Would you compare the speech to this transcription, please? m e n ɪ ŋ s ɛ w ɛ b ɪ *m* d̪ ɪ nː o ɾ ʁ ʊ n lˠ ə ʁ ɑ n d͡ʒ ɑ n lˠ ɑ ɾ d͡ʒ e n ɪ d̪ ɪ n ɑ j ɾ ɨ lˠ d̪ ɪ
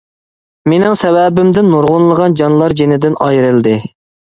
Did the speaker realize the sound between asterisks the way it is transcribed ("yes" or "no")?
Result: yes